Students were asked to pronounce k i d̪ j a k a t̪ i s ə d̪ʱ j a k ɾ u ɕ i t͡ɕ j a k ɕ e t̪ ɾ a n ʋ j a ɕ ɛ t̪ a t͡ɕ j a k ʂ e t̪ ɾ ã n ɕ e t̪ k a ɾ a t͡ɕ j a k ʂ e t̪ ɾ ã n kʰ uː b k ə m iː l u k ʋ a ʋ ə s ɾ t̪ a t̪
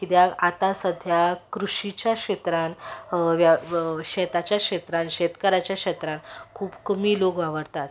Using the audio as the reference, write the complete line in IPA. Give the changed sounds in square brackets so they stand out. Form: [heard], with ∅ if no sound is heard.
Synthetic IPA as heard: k i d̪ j a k a t̪ [a] s ə d̪ʱ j a k ɾ u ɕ i t͡ɕ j a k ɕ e t̪ ɾ a n ʋ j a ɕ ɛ t̪ a t͡ɕ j a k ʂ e t̪ ɾ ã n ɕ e t̪ k [ə] ɾ a t͡ɕ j a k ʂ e t̪ ɾ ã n kʰ uː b k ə m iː l [o] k ʋ a ʋ ə [∅] ɾ t̪ a t̪